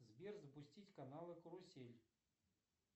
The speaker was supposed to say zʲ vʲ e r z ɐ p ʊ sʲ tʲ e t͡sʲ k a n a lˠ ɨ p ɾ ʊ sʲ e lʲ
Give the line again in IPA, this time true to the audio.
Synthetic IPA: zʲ bʲ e r z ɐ p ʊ sʲ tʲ i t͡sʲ k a n a lˠ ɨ k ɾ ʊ sʲ e lʲ